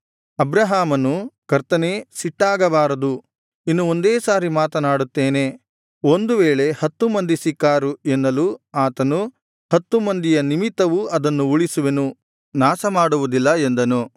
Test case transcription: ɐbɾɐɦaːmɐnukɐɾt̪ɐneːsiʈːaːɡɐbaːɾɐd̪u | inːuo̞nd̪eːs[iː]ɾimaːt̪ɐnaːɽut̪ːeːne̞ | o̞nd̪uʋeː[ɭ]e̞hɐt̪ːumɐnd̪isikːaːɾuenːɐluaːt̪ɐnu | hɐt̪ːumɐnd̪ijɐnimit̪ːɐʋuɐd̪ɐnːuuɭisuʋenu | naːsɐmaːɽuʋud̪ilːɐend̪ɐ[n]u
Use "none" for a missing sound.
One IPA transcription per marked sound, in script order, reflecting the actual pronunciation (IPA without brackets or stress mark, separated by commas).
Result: aː, ɭ, n